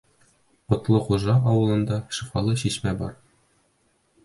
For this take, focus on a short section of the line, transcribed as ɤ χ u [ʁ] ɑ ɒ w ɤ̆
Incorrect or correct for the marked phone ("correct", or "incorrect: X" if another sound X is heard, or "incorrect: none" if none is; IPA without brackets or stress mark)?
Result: incorrect: ʒ